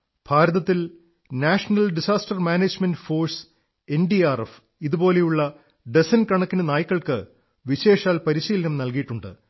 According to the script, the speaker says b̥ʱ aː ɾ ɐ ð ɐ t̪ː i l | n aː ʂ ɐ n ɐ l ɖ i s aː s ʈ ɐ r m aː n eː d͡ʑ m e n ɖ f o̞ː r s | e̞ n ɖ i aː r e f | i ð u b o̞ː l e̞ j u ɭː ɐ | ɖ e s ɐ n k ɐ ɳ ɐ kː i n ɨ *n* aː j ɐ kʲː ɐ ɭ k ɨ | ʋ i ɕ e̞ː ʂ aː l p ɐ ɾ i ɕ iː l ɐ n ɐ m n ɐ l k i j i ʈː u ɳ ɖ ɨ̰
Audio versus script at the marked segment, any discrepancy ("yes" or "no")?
no